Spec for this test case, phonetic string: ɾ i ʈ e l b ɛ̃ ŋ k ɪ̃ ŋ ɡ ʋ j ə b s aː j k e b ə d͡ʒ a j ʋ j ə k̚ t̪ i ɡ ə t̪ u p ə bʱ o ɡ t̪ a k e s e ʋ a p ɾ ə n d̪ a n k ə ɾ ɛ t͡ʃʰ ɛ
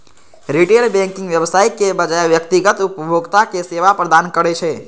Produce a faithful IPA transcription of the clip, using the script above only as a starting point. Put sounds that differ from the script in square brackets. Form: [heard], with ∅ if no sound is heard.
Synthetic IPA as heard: ɾ i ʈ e l b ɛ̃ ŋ k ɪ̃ ŋ ɡ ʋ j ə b s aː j k e b ə d͡ʒ a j ʋ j ə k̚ t̪ i ɡ ə t̪ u p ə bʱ o ɡ t̪ a k e s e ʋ a p ɾ ə [∅] d̪ a n k ə ɾ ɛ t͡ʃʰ ɛ